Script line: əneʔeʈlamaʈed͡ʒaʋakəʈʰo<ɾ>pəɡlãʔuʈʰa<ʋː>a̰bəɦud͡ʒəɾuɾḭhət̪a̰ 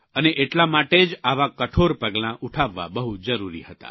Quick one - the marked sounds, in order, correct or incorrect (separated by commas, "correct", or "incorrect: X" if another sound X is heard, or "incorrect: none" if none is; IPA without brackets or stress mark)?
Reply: correct, correct